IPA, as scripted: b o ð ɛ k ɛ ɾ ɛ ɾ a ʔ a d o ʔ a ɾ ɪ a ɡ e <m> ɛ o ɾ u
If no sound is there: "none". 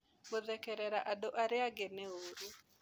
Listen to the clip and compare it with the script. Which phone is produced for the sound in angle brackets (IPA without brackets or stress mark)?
n